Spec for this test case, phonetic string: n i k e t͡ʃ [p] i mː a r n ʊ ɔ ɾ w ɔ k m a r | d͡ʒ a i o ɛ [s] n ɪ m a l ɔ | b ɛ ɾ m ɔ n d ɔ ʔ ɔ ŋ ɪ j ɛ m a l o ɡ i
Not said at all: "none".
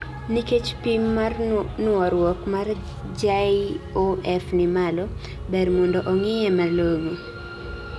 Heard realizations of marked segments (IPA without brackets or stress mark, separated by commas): p, f